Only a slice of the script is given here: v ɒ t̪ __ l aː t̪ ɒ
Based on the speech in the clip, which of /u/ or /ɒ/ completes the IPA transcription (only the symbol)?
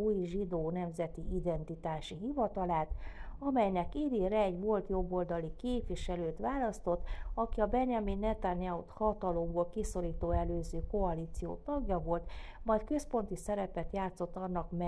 ɒ